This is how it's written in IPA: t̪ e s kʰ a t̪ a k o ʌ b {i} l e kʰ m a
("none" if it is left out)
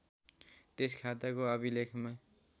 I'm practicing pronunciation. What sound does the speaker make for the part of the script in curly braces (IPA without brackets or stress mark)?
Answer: i